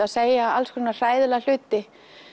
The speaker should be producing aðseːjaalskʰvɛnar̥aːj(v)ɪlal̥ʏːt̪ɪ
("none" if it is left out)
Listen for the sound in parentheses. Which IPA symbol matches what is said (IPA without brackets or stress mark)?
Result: ð